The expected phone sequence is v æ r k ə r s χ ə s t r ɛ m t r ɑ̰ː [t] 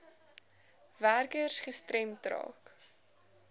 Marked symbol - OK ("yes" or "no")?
no